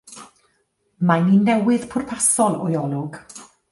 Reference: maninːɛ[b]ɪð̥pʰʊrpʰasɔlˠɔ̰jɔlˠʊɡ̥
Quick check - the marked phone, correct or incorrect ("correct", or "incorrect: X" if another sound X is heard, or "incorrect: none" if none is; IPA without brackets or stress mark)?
incorrect: w